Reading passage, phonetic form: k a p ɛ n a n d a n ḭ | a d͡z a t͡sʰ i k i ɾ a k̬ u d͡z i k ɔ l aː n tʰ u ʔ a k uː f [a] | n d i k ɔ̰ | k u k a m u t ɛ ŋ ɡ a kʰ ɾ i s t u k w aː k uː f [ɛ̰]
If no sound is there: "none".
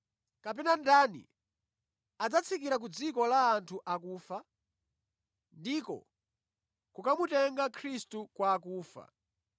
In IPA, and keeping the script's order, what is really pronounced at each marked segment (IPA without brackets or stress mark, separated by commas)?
a, a̰